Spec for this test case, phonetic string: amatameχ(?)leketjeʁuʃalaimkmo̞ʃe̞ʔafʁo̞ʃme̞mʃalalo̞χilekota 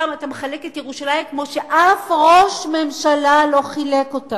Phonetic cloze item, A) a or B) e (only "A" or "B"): A